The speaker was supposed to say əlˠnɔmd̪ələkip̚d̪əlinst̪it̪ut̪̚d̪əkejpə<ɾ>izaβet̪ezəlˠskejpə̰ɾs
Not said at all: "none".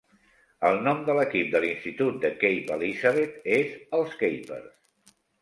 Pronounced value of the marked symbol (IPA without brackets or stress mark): l